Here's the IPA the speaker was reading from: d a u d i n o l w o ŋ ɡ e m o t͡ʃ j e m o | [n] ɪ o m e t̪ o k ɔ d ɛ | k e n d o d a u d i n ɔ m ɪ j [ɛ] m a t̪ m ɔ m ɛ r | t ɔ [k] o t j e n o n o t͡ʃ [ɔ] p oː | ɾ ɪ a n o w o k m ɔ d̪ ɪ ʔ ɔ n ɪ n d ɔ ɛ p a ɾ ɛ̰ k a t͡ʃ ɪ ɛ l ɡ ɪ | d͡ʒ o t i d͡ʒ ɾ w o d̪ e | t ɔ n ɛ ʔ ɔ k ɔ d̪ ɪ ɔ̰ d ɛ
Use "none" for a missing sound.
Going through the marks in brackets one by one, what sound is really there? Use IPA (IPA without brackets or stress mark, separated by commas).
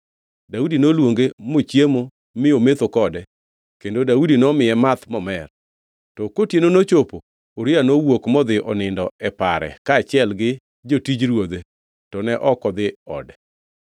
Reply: m, ɛ, k, o